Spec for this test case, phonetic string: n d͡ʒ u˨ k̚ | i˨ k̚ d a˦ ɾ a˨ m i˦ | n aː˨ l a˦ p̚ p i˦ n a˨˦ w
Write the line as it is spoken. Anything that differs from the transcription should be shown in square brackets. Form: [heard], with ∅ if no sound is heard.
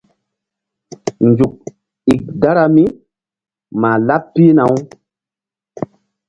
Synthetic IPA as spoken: n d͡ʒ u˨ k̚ | i˨ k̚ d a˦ ɾ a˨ m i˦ | [m] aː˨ l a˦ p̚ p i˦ n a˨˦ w

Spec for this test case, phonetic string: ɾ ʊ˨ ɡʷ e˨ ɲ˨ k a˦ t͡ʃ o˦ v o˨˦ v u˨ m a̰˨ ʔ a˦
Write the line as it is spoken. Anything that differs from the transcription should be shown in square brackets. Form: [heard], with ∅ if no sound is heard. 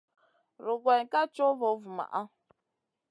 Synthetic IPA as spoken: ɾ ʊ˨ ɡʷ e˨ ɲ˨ k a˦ t͡ʃ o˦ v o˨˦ v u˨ m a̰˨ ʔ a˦

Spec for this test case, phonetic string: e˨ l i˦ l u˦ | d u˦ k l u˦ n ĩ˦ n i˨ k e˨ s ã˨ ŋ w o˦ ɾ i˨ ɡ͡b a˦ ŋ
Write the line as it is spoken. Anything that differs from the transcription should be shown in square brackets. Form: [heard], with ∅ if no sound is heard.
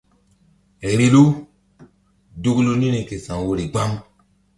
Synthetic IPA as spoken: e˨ [ɾ] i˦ l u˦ | d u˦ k l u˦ n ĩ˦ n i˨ k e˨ s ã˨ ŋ w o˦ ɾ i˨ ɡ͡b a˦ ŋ

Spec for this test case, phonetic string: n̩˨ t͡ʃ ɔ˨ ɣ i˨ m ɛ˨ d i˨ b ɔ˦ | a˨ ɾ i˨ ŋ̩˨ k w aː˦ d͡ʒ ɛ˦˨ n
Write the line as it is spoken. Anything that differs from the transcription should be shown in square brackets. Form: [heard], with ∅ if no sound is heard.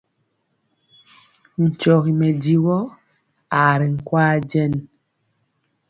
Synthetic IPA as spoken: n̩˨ t͡ʃ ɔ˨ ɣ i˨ m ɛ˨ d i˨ [w] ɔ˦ | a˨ ɾ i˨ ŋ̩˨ k w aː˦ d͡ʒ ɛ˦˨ n

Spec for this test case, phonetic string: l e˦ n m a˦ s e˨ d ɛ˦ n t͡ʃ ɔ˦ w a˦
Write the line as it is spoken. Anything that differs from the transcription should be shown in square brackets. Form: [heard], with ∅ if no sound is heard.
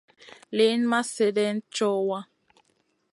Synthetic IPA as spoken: l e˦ n m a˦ s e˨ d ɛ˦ n t͡ʃ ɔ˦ w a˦

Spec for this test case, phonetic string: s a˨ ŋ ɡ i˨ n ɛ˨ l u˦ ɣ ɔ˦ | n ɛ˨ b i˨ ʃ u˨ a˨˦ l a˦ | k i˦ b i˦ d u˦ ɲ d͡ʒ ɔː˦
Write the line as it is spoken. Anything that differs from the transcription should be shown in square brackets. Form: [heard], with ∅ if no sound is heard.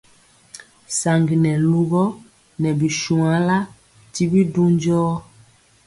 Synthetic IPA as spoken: s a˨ ŋ ɡ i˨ n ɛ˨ l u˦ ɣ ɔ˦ | n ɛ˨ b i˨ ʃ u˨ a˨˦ l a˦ | [t] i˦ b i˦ d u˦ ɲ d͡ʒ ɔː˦

